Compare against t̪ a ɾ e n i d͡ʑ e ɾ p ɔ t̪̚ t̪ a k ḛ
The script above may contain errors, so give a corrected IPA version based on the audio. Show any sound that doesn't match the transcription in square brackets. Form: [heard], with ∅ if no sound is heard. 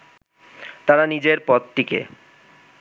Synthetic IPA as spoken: t̪ a ɾ [a] n i d͡ʑ e ɾ p ɔ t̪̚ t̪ [i] k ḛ